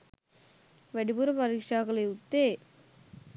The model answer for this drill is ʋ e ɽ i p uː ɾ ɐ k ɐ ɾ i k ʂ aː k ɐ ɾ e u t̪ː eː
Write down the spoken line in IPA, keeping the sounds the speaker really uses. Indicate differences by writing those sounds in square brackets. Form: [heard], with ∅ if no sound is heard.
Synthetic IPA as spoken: ʋ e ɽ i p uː ɾ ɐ [p] ɐ ɾ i k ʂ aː k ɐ [l] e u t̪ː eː